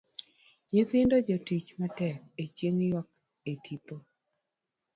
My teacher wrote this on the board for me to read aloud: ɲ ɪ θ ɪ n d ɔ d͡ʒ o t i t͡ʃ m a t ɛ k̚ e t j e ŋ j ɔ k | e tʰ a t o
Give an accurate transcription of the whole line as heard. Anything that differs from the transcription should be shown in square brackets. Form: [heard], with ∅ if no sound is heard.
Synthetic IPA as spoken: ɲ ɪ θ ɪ n d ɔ d͡ʒ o t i t͡ʃ m a t ɛ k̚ e [t͡ʃ] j e ŋ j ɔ k | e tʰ [i] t o